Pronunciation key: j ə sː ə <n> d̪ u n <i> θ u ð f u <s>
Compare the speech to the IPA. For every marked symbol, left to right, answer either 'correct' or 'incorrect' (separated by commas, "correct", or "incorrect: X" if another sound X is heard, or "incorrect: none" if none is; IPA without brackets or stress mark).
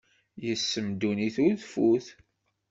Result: incorrect: m, correct, incorrect: θ